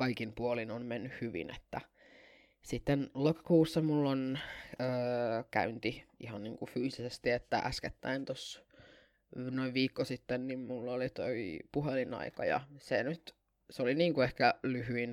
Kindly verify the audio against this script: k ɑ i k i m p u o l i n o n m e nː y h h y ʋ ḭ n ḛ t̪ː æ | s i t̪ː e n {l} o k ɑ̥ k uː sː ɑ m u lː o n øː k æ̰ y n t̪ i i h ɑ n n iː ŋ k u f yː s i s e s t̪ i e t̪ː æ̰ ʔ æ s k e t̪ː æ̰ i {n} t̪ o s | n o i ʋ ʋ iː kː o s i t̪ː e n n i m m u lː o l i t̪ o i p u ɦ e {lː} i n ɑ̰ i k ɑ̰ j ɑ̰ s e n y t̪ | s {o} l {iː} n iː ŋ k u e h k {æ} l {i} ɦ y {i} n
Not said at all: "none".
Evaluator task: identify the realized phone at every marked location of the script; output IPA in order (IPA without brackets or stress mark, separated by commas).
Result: l, n, l, o, i, æ, y, i